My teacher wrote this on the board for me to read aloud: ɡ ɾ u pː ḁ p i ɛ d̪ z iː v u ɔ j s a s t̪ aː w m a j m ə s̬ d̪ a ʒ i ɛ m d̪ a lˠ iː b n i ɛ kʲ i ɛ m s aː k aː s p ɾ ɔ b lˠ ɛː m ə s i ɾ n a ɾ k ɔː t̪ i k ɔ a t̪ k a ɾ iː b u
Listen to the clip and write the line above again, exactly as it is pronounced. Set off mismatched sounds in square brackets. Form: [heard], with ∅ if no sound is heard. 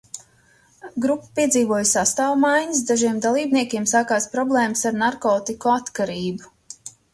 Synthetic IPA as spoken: ɡ ɾ u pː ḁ p i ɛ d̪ z iː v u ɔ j s a s t̪ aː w m a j [ɲ] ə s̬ d̪ a ʒ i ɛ m d̪ a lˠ iː b n i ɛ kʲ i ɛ m s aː k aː s p ɾ ɔ b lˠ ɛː m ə s [a] ɾ n a ɾ k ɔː t̪ i k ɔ a t̪ k a ɾ iː b u